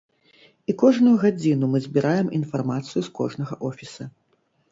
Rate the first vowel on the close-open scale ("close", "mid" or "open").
close